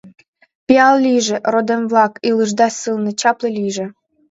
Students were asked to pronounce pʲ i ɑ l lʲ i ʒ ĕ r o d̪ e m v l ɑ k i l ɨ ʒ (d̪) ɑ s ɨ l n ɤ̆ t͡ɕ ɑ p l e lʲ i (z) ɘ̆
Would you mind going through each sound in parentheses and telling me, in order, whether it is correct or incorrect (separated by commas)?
correct, incorrect